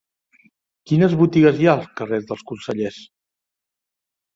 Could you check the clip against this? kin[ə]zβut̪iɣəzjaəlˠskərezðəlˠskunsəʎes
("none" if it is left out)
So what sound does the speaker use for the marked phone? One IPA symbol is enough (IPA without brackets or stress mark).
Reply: ə